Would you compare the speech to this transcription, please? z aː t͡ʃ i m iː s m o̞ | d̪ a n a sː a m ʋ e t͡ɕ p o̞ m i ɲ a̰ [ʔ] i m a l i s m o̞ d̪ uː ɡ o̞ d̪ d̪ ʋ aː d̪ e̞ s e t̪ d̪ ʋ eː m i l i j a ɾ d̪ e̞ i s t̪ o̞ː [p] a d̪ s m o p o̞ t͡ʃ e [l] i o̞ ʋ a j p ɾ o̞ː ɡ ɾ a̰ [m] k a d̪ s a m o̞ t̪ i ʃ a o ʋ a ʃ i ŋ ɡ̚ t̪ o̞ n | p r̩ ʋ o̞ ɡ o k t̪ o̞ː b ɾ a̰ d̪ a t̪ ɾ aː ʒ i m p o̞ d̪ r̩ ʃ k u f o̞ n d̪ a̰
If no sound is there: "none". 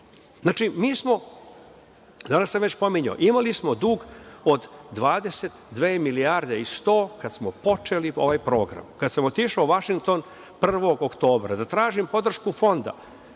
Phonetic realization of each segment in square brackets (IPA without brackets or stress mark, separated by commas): ʔ, k, l, m